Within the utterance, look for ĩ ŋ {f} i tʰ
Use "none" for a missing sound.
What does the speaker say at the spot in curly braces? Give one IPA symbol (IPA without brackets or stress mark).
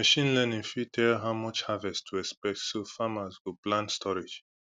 f